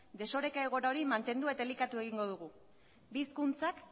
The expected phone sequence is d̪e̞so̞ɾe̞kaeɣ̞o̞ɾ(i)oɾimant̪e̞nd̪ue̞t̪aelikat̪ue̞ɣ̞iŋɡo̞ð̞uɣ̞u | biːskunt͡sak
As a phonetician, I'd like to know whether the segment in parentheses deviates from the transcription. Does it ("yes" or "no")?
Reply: yes